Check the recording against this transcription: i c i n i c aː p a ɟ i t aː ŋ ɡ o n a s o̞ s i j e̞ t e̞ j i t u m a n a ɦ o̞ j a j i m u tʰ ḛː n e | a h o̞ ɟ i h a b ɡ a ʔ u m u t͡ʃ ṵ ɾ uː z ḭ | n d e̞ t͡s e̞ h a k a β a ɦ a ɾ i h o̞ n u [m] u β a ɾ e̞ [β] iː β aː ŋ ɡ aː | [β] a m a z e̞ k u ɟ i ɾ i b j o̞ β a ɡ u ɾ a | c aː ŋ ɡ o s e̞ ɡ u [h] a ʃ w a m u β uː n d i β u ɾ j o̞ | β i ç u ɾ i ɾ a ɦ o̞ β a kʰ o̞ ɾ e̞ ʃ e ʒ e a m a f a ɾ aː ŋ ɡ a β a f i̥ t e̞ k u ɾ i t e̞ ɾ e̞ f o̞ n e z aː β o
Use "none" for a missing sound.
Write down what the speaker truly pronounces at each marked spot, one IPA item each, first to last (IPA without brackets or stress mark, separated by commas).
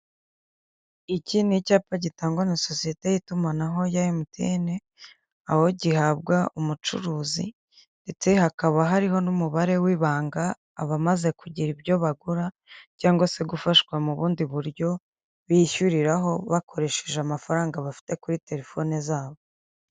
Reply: m, w, β, f